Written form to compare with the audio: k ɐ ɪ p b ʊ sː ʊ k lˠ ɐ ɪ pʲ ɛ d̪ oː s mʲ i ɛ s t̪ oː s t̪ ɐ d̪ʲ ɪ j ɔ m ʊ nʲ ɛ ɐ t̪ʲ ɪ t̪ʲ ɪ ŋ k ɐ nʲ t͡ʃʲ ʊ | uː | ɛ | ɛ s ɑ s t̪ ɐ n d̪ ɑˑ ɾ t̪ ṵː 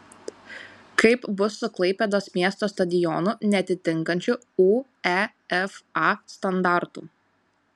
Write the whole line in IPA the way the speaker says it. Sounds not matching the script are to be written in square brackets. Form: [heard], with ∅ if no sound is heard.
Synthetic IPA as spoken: k ɐ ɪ p b ʊ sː ʊ k lˠ ɐ ɪ pʲ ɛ d̪ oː s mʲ i ɛ s t̪ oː s t̪ ɐ d̪ʲ ɪ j ɔ [n] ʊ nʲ ɛ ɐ t̪ʲ ɪ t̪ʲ ɪ ŋ k ɐ nʲ t͡ʃʲ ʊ | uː | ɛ | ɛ [f] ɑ s t̪ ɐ n d̪ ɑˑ ɾ t̪ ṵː